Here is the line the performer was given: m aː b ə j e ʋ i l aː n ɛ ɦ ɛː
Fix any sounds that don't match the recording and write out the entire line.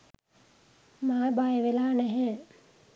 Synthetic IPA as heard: m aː b a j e ʋ e l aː n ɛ ɦ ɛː